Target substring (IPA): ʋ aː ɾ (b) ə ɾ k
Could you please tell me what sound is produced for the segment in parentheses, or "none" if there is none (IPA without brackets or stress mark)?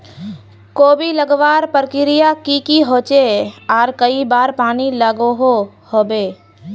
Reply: p